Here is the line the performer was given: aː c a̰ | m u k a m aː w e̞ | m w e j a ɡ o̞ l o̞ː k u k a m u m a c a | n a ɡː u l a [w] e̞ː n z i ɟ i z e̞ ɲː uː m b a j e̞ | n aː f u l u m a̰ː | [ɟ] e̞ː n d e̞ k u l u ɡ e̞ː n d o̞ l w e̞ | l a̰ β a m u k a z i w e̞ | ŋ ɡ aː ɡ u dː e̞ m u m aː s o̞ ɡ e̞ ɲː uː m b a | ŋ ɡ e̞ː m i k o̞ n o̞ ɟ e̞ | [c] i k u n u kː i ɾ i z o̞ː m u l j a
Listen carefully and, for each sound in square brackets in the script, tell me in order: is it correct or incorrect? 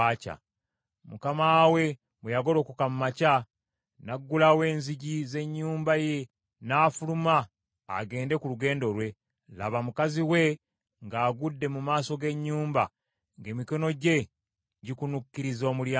correct, incorrect, incorrect

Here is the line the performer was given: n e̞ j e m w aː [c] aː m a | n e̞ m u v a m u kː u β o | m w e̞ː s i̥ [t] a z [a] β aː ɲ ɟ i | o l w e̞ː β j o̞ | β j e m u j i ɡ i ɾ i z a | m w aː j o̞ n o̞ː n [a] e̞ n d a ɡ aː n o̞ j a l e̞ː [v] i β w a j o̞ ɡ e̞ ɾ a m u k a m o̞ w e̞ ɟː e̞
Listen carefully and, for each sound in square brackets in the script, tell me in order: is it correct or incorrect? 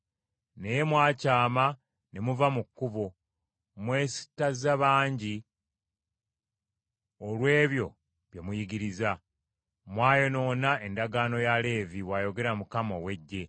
correct, correct, correct, correct, correct

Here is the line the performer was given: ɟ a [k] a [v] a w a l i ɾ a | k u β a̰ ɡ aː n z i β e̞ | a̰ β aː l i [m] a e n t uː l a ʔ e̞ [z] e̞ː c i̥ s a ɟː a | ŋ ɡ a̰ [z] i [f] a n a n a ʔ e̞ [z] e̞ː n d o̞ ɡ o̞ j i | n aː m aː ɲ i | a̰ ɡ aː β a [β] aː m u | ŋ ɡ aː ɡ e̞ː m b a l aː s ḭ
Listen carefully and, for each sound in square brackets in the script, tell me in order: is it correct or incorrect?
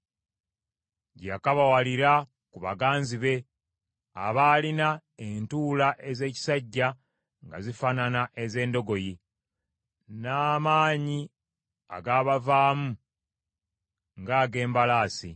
correct, incorrect, incorrect, correct, correct, correct, correct, incorrect

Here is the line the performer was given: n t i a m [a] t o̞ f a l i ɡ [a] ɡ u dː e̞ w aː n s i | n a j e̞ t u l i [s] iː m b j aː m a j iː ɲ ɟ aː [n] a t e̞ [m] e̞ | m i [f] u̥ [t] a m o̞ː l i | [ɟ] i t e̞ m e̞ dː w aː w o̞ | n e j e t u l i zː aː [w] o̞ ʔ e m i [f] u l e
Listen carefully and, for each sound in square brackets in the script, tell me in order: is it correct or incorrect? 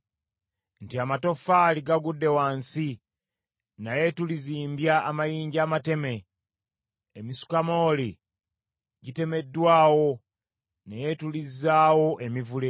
correct, correct, incorrect, incorrect, correct, incorrect, incorrect, correct, correct, incorrect

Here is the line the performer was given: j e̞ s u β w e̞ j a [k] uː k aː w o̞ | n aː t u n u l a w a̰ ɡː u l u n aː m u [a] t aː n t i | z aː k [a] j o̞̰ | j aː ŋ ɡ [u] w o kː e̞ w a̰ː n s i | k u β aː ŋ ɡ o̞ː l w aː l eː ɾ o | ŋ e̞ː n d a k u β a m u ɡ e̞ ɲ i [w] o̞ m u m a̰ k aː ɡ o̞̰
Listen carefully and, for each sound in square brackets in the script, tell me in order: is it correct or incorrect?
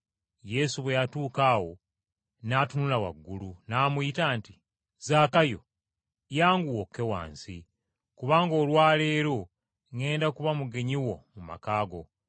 incorrect, incorrect, correct, correct, correct

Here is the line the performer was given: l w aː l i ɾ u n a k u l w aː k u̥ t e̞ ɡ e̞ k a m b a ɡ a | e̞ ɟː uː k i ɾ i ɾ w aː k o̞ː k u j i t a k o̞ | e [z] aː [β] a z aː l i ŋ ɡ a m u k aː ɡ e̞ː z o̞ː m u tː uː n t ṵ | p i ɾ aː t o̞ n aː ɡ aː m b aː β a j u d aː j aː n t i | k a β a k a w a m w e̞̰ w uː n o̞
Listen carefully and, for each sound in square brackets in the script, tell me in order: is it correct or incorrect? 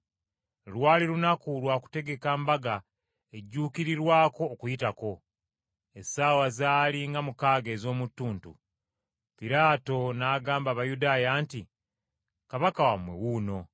incorrect, incorrect

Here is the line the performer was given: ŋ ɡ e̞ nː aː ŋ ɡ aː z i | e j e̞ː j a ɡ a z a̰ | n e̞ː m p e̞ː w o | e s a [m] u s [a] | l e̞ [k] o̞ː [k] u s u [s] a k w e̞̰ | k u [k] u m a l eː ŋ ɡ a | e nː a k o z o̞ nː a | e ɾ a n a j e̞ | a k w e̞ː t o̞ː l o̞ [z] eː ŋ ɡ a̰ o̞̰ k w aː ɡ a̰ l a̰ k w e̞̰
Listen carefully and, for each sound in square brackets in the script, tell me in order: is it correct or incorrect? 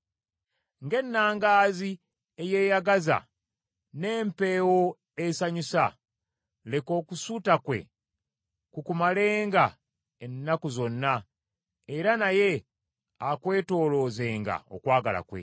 incorrect, correct, correct, correct, incorrect, correct, correct

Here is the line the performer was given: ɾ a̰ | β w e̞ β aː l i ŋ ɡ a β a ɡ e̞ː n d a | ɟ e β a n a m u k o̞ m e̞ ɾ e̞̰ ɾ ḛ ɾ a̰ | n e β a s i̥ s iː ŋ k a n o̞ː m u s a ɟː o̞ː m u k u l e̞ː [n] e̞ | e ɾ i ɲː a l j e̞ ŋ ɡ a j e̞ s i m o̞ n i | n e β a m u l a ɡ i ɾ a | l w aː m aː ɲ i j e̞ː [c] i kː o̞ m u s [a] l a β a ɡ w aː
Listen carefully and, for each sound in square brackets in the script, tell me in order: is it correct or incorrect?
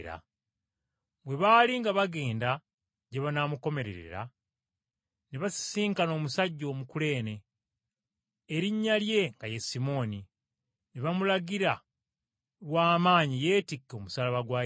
correct, incorrect, correct

